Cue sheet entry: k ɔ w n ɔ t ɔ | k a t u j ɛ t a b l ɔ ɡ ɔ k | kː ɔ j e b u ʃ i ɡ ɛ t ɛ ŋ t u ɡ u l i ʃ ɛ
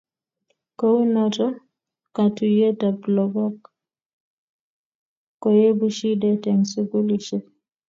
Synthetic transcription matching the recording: k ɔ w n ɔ t ɔ | k a t u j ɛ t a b l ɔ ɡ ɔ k | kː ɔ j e b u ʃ i d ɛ t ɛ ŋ s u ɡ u l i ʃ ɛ